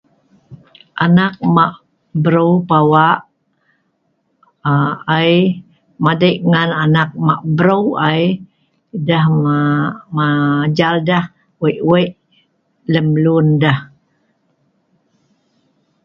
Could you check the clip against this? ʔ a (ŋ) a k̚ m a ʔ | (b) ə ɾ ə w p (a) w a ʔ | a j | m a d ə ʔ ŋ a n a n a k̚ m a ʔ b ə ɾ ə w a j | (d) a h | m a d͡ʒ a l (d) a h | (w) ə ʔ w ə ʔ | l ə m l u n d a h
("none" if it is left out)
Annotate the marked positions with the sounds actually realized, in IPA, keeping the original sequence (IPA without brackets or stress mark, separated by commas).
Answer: n, b, a, d, d, w